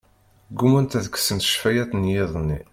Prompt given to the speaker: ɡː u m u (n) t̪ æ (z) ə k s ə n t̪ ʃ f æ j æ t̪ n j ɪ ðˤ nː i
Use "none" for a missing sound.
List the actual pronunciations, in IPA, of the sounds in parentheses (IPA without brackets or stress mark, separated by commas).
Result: n, ð